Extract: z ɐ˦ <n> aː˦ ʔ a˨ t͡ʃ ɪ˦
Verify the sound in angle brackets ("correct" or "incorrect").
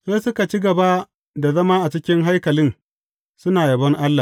incorrect